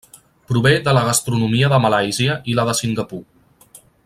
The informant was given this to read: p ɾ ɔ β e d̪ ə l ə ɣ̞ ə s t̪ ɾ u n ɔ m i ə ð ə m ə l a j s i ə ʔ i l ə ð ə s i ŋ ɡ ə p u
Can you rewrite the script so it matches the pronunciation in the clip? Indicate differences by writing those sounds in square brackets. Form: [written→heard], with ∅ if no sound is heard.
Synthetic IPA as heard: p ɾ [ɔ→u] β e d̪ ə l ə ɣ̞ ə s t̪ ɾ u n [ɔ→u] m i ə ð ə m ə l a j [s→z] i ə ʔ i l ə ð ə s i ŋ ɡ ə p u